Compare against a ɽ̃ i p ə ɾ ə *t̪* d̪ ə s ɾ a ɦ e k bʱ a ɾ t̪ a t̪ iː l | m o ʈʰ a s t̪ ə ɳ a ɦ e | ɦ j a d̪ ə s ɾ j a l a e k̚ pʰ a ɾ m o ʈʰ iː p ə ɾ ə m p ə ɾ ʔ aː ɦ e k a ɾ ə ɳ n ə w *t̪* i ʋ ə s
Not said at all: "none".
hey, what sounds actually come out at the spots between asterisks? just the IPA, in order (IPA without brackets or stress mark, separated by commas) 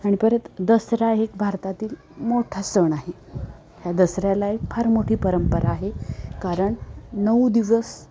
t̪, d̪